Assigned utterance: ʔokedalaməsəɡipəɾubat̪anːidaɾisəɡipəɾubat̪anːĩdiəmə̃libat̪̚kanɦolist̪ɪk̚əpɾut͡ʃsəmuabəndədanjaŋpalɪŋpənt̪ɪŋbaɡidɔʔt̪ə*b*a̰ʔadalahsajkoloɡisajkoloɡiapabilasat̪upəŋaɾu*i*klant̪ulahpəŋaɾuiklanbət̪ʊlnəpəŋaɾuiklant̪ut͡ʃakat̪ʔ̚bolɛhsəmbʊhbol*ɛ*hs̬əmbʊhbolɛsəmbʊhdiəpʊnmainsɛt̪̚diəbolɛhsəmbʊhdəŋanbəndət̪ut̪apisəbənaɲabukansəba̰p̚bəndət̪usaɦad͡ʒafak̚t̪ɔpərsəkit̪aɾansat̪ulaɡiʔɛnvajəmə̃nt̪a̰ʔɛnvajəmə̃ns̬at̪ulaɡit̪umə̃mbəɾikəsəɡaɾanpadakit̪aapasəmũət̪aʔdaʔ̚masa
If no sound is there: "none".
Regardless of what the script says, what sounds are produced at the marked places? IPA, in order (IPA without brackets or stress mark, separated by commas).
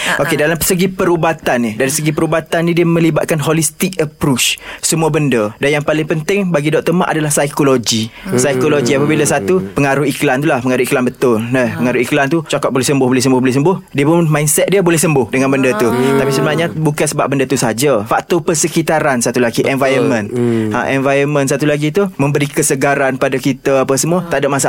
m, i, ɛ